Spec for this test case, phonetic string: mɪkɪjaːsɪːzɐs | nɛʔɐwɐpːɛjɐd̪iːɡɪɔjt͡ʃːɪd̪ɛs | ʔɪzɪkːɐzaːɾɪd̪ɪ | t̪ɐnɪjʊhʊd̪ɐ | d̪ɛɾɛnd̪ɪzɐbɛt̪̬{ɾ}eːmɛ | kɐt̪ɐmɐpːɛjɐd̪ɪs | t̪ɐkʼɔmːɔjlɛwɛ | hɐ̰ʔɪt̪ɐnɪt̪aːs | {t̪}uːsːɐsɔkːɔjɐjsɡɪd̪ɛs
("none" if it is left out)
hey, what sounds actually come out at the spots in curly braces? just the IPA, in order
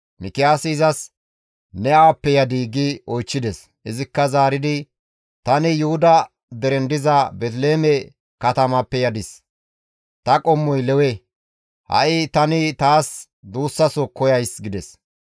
l, d̪

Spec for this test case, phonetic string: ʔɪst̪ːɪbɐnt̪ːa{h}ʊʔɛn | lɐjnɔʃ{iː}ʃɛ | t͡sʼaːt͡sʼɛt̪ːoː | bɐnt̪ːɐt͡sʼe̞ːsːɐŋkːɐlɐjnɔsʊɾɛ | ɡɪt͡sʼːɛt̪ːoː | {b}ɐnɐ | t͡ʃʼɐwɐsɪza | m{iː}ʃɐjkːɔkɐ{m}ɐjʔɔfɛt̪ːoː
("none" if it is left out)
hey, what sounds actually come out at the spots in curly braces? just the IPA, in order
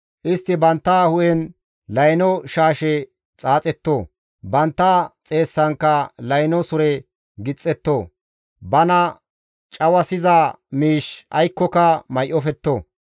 h, aː, b, iː, m

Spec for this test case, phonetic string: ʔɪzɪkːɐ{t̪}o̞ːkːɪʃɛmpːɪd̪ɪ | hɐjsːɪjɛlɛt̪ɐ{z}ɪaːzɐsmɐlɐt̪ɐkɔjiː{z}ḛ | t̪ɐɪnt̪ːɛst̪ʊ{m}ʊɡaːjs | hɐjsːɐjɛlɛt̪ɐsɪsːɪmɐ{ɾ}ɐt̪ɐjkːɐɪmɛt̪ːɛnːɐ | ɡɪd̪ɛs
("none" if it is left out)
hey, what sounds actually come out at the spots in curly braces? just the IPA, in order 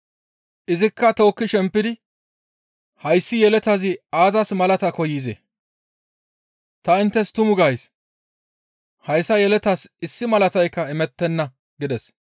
t̪, z, z, m, l

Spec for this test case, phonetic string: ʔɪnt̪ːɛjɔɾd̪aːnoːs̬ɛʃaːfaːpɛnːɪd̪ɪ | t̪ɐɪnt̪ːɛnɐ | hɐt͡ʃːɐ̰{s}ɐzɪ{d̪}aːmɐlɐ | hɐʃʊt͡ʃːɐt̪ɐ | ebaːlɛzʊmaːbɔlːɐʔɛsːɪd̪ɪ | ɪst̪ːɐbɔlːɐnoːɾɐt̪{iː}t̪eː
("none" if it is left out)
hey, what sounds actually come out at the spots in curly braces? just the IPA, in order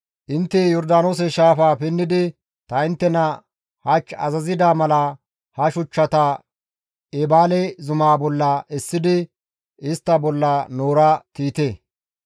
z, d̪, iː

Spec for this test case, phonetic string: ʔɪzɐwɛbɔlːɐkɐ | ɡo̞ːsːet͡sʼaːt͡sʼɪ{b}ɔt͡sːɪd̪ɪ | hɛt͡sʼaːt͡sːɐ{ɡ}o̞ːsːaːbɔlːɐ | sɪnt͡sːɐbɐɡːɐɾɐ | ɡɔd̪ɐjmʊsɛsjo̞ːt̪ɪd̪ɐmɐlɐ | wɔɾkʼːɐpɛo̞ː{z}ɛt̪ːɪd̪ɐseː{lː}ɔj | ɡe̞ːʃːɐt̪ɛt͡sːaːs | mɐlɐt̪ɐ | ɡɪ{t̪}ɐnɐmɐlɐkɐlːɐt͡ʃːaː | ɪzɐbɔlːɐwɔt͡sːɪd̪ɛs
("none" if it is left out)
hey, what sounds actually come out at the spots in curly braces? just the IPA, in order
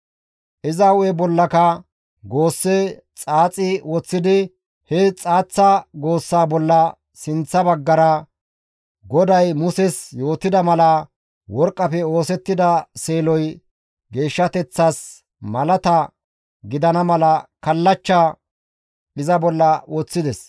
w, ɡ, s, l, d̪

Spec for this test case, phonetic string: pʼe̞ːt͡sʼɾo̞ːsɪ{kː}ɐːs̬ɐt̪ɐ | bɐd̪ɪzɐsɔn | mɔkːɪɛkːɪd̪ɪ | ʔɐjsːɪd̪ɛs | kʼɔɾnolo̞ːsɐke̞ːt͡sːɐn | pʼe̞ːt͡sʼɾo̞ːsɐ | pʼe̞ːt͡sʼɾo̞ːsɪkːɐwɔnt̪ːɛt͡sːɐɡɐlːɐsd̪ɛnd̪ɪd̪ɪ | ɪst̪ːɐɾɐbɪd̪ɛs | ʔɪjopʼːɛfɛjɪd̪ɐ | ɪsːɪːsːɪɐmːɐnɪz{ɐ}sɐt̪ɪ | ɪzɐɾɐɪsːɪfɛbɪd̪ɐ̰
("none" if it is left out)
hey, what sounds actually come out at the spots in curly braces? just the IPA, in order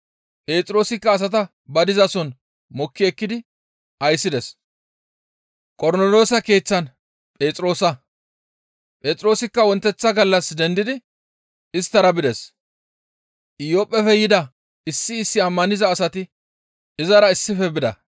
kː, ɐː

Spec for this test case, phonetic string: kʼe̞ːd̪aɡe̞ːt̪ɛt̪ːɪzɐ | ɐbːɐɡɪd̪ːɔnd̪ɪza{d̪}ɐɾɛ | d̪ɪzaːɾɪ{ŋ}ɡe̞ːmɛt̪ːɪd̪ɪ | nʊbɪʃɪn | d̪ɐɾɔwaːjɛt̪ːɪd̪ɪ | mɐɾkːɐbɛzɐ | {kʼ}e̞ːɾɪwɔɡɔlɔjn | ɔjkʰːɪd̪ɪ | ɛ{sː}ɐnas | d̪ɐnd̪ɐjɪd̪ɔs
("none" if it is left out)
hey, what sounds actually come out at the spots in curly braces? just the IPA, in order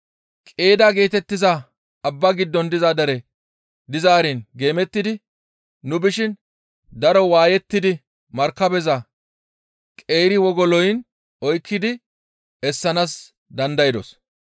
d̪, n, kʼ, sː

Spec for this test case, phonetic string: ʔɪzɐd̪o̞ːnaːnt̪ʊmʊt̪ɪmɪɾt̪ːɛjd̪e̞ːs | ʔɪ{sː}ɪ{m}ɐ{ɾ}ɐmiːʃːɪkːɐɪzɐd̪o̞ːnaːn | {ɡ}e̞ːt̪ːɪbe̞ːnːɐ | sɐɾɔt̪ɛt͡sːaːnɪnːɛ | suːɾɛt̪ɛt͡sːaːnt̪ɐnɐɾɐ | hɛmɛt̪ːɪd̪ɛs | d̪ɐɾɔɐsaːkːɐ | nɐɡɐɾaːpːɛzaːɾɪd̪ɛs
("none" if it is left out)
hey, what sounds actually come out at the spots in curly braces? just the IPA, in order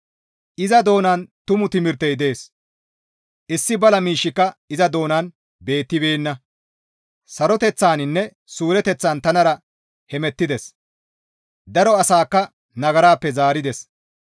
sː, b, l, b

